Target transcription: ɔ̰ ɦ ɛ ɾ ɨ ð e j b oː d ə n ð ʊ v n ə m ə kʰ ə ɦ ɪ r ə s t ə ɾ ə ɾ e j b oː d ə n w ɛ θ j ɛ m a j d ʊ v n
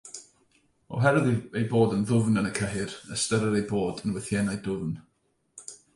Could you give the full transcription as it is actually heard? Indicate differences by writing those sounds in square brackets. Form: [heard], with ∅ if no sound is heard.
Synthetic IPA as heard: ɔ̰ ɦ ɛ ɾ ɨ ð e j b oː d ə n ð ʊ v n ə [n] ə kʰ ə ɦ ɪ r ə s t ə ɾ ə ɾ e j b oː d ə n w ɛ θ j ɛ [n] a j d ʊ v n